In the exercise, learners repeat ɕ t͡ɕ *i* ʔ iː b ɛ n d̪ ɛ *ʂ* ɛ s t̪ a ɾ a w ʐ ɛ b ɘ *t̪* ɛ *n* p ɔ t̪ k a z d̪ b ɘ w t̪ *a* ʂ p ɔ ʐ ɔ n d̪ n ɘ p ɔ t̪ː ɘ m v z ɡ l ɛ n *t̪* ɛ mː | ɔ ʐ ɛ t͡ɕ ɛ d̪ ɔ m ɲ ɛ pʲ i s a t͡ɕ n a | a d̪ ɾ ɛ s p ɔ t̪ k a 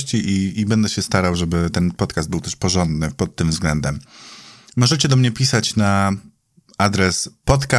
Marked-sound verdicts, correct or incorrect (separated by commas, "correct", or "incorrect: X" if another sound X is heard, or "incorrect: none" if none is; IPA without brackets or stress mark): correct, incorrect: ɕ, correct, correct, incorrect: ɛ, incorrect: d̪